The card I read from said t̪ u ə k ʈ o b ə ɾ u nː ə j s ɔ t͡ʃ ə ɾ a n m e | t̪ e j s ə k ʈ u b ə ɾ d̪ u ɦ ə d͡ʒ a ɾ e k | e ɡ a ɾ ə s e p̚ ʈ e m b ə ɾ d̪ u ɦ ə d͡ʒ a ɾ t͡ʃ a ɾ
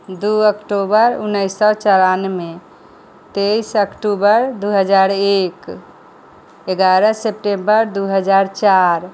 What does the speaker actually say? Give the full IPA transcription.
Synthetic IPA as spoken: d̪ u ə k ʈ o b ə ɾ u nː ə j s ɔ t͡ʃ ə ɾ a n m e | t̪ e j s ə k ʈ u b ə ɾ d̪ u ɦ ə d͡ʒ a ɾ e k | e ɡ a ɾ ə s e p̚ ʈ e m b ə ɾ d̪ u ɦ ə d͡ʒ a ɾ t͡ʃ a ɾ